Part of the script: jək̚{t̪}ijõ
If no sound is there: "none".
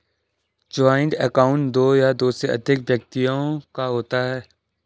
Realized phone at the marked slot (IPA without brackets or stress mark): t̪